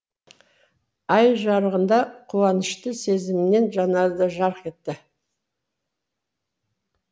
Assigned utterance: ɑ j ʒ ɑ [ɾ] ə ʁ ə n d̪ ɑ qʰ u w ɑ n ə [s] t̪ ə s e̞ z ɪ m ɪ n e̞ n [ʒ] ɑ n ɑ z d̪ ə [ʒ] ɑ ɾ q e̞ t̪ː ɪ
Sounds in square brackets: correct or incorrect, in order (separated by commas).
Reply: correct, incorrect, correct, correct